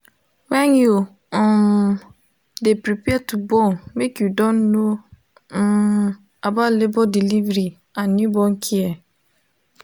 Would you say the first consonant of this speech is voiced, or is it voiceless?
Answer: voiced